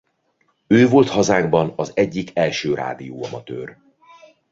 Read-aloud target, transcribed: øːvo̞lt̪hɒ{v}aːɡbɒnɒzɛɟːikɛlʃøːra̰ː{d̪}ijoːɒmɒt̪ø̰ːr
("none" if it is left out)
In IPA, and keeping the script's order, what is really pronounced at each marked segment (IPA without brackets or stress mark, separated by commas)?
z, d̪